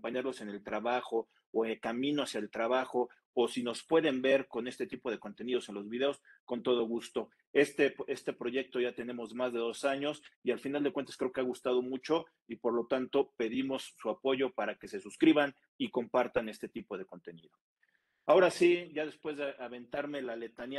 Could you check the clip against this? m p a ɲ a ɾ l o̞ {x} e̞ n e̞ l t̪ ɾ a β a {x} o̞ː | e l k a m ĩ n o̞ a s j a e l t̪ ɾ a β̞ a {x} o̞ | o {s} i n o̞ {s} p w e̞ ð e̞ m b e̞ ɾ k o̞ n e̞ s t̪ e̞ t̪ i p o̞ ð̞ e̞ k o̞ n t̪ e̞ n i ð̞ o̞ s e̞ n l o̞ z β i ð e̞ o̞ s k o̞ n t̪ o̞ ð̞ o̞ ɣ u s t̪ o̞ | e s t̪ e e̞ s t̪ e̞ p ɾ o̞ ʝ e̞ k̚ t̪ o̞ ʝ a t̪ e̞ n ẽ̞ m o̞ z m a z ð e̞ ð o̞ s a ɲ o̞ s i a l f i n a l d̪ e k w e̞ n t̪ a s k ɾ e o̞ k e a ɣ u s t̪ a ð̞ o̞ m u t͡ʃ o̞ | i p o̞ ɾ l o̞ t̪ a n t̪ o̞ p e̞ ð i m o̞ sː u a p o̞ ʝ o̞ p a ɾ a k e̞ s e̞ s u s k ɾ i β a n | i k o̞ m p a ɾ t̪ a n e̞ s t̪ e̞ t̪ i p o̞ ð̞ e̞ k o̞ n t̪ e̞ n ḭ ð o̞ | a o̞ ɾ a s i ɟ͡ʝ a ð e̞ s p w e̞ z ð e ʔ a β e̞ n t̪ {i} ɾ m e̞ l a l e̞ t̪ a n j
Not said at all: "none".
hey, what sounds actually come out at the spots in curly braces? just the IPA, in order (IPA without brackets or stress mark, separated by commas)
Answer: s, x, x, s, s, a